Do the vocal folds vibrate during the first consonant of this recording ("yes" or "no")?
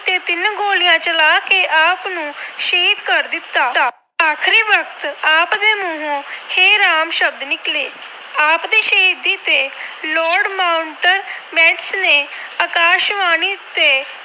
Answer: no